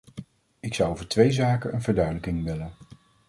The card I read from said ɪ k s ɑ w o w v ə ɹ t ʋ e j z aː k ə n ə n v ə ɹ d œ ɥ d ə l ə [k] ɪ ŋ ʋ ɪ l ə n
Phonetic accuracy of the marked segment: correct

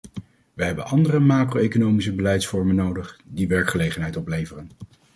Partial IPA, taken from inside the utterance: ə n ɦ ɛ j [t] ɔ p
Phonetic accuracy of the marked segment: correct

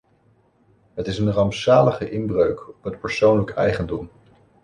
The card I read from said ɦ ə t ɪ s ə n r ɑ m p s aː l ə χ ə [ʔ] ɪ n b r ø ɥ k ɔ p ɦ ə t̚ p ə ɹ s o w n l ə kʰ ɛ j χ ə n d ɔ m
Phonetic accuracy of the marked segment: correct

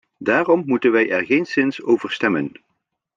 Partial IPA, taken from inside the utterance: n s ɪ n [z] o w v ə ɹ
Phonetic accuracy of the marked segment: incorrect: s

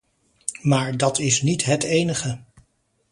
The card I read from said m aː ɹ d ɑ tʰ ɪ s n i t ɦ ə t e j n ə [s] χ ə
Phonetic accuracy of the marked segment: incorrect: none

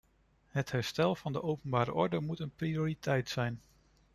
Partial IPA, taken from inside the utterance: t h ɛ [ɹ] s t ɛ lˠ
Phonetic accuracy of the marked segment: correct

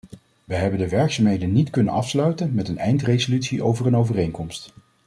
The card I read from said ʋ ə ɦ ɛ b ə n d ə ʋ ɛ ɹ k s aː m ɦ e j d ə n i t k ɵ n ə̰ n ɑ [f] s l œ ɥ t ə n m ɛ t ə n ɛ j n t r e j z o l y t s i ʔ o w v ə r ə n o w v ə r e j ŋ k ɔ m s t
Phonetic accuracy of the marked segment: correct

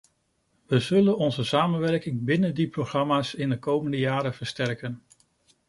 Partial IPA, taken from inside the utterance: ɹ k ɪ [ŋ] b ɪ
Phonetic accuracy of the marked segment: correct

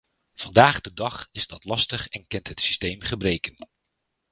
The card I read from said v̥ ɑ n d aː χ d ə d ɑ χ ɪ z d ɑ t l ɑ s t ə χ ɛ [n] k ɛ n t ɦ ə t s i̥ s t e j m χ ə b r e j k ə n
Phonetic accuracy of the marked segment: correct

